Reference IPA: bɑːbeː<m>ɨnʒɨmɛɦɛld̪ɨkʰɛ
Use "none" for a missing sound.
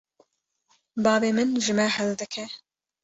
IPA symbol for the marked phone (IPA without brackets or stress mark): m